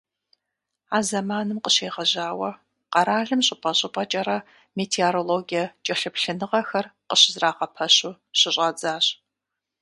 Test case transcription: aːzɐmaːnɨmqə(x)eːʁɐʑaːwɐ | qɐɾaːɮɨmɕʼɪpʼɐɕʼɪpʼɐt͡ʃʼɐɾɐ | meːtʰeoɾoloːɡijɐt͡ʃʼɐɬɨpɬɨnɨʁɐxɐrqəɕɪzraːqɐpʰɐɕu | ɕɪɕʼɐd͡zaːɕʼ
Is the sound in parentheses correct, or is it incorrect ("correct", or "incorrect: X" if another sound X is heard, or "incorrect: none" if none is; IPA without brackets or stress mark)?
incorrect: ɕ